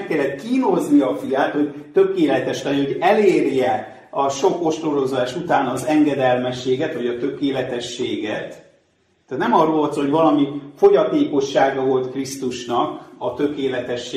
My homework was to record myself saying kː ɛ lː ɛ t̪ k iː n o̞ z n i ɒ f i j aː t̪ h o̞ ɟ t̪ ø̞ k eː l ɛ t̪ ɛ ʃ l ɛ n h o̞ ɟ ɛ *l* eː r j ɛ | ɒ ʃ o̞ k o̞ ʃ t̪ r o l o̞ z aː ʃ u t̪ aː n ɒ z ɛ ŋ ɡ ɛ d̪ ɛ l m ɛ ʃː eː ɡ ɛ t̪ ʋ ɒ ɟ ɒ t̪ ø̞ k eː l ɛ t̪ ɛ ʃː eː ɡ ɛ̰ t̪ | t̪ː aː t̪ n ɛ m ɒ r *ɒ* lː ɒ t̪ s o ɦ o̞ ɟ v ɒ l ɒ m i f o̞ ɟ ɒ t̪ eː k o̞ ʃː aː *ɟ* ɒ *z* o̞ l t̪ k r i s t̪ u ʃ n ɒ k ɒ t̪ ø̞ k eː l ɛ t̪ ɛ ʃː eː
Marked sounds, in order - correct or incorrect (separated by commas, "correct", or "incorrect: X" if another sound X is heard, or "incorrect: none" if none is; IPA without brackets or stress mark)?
correct, incorrect: o, incorrect: ɡ, incorrect: v